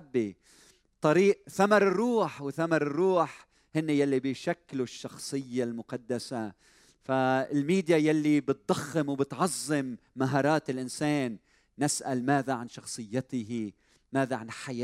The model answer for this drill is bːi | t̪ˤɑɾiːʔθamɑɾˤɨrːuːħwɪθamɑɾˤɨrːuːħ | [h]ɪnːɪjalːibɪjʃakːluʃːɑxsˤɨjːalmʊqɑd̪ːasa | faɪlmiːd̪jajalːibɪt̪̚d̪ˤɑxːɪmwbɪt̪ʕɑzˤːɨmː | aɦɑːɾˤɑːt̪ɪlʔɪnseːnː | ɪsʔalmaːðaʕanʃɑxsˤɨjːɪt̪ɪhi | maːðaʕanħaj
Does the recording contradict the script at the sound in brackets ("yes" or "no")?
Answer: no